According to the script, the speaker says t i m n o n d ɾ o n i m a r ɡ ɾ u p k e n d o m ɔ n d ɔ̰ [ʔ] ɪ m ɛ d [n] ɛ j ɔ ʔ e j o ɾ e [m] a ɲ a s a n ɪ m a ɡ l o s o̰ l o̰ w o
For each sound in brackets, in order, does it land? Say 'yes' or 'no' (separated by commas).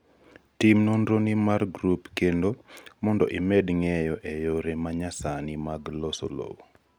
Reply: yes, no, yes